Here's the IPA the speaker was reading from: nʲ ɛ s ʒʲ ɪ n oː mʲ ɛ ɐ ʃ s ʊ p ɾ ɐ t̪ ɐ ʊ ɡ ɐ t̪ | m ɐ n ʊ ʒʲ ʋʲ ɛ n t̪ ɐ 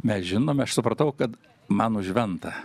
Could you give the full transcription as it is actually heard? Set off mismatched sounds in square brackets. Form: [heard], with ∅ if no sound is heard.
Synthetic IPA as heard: [mʲ] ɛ s ʒʲ ɪ n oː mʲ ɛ ɐ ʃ s ʊ p ɾ ɐ t̪ ɐ ʊ [k] ɐ t̪ | m ɐ n ʊ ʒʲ ʋʲ ɛ n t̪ ɐ